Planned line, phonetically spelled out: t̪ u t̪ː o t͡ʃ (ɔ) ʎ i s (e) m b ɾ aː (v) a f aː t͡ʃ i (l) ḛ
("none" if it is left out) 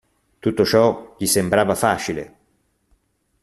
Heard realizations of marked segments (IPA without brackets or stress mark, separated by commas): ɔ, e, v, l